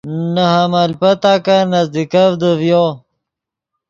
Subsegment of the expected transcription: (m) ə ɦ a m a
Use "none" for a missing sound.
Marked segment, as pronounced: n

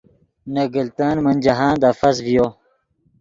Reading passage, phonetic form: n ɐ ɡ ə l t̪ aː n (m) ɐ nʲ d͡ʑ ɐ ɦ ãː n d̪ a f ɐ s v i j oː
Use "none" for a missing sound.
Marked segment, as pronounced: m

